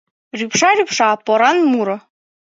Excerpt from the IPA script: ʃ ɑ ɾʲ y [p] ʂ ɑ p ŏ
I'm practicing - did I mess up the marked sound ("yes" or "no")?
no